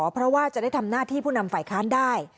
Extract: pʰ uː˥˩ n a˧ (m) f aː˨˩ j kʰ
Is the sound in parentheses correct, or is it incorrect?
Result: correct